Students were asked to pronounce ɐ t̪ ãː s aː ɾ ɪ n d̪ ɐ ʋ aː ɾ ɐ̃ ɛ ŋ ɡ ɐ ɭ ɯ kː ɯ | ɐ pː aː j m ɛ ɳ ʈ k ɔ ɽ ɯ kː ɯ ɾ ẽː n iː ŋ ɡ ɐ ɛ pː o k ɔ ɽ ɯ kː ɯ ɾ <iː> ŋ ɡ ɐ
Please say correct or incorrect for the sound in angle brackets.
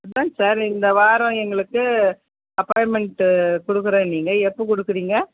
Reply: correct